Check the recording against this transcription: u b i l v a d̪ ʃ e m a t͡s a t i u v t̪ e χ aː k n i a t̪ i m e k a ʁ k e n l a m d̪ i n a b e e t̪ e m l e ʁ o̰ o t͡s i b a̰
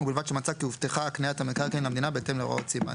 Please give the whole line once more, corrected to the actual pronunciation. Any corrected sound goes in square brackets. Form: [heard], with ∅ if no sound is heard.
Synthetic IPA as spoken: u b i l v a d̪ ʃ e m a t͡s a [k] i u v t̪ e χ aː k n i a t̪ [a] m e k a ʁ k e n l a m d̪ i n a b e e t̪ e m l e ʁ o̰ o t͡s i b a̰